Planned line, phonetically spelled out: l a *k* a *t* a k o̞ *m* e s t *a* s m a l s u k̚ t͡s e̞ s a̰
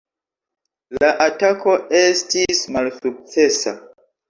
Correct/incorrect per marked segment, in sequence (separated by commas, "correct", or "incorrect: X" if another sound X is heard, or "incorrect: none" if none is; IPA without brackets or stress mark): incorrect: ʔ, correct, incorrect: none, incorrect: i